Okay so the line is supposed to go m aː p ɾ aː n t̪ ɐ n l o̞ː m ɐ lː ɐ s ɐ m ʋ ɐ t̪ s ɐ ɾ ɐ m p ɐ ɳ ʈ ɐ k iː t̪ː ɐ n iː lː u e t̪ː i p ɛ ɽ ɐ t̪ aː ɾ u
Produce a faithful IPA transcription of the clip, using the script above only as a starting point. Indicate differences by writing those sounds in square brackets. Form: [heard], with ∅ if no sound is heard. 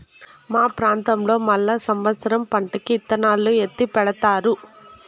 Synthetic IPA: m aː p ɾ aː n t̪ ɐ [m] l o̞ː m ɐ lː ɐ s ɐ m ʋ ɐ t̪ s ɐ ɾ ɐ m p ɐ ɳ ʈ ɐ k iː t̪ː ɐ n [aː] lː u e t̪ː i p ɛ ɽ ɐ t̪ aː ɾ u